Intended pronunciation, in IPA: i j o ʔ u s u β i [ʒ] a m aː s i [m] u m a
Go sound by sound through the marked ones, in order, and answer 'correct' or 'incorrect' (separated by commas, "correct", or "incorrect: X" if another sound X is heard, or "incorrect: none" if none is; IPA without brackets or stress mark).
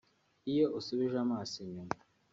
correct, incorrect: ɲ